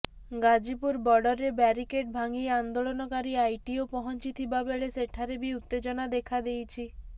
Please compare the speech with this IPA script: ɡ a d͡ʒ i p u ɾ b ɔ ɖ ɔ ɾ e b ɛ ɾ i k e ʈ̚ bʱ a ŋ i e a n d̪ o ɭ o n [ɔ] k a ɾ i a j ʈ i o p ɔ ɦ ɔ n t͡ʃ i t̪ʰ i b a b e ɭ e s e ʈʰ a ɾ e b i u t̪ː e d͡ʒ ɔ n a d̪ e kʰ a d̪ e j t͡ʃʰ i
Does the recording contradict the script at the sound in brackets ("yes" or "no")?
no